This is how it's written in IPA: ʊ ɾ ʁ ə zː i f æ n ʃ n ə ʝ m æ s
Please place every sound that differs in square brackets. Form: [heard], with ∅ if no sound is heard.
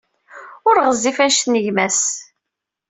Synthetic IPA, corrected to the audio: ʊ ɾ ʁ ə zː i f æ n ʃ n ə ʝ m æ s